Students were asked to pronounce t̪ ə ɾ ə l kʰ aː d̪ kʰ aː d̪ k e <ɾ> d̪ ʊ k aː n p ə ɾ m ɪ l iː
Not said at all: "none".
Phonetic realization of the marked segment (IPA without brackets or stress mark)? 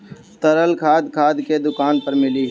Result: none